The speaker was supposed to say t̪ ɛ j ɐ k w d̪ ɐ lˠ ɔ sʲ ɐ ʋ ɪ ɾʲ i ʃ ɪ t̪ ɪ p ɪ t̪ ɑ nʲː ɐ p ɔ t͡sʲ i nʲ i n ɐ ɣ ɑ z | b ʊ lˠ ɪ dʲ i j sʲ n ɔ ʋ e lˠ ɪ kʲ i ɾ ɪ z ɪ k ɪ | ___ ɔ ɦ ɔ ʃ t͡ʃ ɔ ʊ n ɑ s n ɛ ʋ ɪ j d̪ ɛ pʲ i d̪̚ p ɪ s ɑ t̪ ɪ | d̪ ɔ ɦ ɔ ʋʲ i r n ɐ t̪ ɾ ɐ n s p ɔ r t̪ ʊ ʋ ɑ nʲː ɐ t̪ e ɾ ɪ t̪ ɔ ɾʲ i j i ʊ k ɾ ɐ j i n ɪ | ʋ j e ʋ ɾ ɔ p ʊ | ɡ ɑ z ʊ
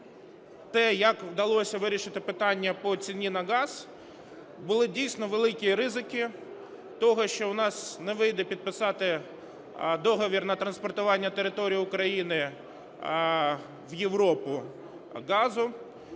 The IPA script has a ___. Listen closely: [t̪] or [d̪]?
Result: t̪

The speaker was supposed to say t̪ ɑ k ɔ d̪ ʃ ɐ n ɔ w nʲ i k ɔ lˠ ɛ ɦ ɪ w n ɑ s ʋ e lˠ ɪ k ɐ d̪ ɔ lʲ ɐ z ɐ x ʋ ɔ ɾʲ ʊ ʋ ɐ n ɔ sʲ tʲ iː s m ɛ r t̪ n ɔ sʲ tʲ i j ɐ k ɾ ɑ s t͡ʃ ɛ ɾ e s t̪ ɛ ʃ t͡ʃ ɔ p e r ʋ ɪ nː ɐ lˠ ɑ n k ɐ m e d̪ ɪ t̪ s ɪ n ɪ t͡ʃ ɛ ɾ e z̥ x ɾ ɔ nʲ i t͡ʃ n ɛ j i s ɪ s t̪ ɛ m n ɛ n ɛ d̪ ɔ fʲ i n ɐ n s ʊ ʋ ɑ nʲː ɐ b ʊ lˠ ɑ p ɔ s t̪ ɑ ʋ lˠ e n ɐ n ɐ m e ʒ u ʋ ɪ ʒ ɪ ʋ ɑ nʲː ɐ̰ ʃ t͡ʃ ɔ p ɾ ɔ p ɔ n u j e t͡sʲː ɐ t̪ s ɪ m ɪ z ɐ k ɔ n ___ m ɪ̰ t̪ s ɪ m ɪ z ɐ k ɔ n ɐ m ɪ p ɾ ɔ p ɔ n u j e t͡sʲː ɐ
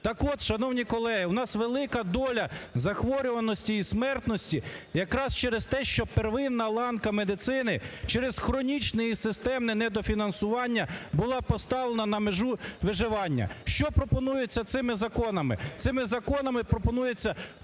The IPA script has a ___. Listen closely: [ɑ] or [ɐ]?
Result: ɐ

